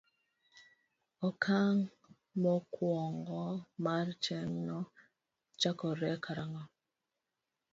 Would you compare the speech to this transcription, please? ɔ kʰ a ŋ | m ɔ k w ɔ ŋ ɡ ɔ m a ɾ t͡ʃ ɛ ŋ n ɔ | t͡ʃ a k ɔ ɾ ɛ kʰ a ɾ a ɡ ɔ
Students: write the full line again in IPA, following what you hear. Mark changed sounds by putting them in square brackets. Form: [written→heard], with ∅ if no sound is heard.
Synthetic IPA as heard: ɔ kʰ a ŋ | m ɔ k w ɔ ŋ ɡ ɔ m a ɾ t͡ʃ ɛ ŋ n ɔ | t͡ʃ a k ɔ ɾ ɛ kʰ a ɾ a [ɡ→ŋ] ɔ